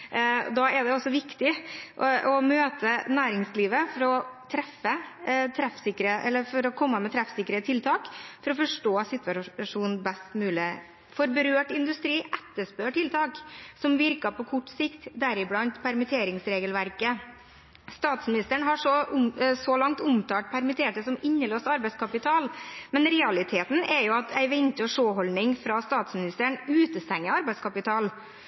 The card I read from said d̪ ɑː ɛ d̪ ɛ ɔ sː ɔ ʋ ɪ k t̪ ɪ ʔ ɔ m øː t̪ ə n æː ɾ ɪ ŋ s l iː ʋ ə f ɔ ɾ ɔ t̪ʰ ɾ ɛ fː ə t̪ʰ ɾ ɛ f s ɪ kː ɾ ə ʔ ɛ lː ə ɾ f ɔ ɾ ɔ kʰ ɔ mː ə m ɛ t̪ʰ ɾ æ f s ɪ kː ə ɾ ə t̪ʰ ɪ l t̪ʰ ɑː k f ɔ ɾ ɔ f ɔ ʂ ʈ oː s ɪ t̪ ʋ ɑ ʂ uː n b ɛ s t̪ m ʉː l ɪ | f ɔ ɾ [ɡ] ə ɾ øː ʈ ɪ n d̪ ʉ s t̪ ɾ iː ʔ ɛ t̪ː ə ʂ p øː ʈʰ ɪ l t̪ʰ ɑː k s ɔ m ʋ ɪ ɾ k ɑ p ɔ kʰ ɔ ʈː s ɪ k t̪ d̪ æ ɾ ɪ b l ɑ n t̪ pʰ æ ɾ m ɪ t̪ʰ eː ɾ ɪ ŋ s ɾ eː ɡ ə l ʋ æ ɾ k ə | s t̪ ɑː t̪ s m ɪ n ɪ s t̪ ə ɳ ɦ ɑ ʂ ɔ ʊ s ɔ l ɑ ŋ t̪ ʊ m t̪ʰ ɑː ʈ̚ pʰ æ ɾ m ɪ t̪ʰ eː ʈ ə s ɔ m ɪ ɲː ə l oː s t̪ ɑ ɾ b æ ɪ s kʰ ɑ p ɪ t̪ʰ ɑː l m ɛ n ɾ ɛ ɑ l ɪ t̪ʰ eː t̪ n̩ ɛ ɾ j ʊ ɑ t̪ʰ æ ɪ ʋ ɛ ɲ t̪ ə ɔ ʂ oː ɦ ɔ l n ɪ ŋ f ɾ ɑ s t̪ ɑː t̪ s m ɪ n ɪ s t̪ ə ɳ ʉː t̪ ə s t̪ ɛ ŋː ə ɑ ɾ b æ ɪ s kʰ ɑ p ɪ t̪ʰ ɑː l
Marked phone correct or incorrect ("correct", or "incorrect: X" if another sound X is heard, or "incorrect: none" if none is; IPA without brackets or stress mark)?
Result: incorrect: b